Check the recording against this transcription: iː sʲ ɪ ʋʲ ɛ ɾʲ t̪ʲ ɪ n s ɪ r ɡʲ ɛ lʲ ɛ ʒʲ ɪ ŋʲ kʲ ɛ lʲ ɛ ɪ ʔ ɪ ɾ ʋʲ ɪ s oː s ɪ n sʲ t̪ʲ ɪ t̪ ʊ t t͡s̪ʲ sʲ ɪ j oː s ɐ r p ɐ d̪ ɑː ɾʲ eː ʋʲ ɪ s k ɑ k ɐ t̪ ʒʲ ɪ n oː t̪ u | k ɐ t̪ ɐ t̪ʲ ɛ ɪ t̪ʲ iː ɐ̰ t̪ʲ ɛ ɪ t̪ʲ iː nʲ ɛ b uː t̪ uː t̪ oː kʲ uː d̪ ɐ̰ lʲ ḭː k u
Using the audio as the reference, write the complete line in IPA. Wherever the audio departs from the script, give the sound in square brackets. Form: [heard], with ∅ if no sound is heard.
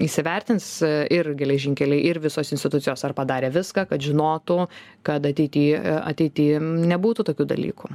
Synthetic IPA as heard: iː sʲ ɪ ʋʲ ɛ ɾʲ t̪ʲ ɪ n s ɪ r ɡʲ ɛ lʲ ɛ ʒʲ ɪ ŋʲ kʲ ɛ lʲ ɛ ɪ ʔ ɪ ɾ ʋʲ ɪ s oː s ɪ n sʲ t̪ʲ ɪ t̪ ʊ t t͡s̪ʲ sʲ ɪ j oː s ɐ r p ɐ d̪ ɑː ɾʲ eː ʋʲ ɪ s k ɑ k ɐ t̪ ʒʲ ɪ n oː t̪ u | k ɐ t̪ ɐ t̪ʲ ɛ ɪ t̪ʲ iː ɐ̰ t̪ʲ ɛ ɪ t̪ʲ iː nʲ ɛ b uː t̪ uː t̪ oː kʲ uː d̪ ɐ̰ lʲ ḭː k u

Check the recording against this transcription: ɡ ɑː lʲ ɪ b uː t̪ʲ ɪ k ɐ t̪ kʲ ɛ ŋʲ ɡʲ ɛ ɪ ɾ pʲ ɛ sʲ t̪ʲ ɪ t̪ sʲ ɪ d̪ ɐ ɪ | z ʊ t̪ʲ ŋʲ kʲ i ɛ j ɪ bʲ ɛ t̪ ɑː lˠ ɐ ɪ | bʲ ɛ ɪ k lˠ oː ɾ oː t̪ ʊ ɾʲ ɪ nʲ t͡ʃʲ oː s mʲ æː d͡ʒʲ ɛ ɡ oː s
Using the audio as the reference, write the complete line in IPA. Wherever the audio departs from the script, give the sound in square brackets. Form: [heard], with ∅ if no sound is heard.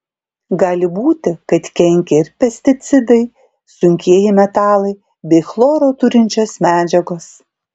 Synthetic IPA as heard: ɡ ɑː lʲ ɪ b uː t̪ʲ ɪ k ɐ t̪ kʲ ɛ ŋʲ [kʲ] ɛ ɪ ɾ pʲ ɛ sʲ t̪ʲ ɪ t̪ sʲ ɪ d̪ ɐ ɪ | [s] ʊ [∅] ŋʲ kʲ i ɛ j ɪ [mʲ] ɛ t̪ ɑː lˠ ɐ ɪ | bʲ ɛ ɪ [x] lˠ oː ɾ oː t̪ ʊ ɾʲ ɪ nʲ t͡ʃʲ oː s mʲ æː d͡ʒʲ ɛ ɡ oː s

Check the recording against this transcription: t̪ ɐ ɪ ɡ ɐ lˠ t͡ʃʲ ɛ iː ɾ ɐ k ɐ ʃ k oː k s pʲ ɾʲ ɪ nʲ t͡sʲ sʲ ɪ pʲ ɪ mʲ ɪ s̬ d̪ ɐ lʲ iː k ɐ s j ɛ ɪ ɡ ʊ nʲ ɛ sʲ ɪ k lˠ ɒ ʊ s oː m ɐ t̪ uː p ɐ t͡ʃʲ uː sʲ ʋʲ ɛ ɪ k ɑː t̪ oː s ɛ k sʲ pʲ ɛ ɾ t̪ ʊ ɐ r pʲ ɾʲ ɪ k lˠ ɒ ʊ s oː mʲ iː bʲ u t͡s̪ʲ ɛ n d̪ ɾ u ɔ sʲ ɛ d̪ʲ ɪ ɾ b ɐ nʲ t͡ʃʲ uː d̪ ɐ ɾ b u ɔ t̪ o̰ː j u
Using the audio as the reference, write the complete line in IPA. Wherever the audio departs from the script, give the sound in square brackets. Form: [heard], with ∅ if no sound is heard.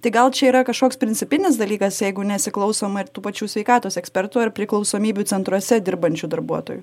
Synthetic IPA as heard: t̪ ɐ ɪ ɡ ɐ lˠ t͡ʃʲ ɛ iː ɾ ɐ k ɐ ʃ k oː k s pʲ ɾʲ ɪ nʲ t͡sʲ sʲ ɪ pʲ ɪ [nʲ] ɪ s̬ d̪ ɐ lʲ iː k ɐ s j ɛ ɪ ɡ ʊ nʲ ɛ sʲ ɪ k lˠ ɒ ʊ s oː m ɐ t̪ uː p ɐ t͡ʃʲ uː sʲ ʋʲ ɛ ɪ k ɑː t̪ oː s ɛ k sʲ pʲ ɛ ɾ t̪ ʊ ɐ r pʲ ɾʲ ɪ k lˠ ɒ ʊ s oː mʲ iː bʲ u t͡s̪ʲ ɛ n [t̪] ɾ u ɔ sʲ ɛ d̪ʲ ɪ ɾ b ɐ nʲ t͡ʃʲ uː d̪ ɐ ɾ b u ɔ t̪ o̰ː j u

